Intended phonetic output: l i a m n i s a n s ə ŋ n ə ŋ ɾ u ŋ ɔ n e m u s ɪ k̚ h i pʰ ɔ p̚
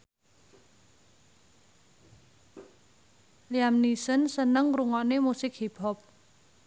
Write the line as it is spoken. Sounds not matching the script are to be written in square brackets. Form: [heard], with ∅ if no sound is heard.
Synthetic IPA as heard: l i a m n i s [ə] n s ə [∅] n ə ŋ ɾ u ŋ ɔ n e m u s ɪ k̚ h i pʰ ɔ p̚